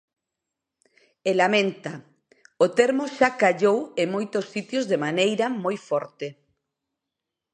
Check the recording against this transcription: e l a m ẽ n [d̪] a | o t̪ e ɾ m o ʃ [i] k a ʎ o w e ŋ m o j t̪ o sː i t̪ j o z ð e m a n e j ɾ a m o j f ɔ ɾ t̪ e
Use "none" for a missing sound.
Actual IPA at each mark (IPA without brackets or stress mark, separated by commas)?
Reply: t̪, a